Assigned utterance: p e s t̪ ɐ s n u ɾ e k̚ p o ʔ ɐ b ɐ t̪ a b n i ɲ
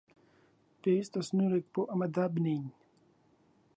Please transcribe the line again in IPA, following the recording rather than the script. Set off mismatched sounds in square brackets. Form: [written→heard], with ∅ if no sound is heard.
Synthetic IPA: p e s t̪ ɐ s n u ɾ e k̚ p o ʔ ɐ [b→m] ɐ [t̪→d̪] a b n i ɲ